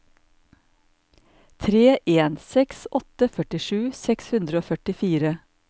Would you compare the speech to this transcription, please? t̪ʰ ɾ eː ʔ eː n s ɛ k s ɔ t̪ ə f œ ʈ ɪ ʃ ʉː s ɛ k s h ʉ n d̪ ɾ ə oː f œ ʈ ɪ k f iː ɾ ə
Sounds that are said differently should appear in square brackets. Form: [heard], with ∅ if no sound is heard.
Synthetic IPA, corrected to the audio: t̪ʰ ɾ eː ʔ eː n s ɛ k s ɔ t̪ ə f œ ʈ ɪ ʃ ʉː s ɛ k s h ʉ n d̪ ɾ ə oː f œ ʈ ɪ [∅] f iː ɾ ə